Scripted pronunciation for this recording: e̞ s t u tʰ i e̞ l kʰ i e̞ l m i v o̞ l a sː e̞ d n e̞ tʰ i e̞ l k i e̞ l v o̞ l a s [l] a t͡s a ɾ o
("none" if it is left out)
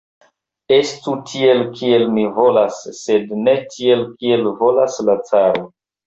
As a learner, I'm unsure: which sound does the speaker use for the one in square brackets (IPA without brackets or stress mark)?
l